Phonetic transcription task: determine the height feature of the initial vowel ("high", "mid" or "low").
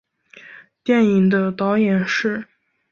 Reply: mid